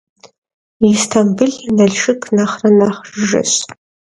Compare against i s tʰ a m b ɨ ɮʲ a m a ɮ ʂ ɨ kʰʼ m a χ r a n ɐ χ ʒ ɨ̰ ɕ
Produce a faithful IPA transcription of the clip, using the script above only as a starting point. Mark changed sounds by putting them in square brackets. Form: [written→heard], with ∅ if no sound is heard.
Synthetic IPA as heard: i s tʰ a m b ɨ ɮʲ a [m→n] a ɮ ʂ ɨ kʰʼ [m→n] a χ r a n [ɐ→a] χ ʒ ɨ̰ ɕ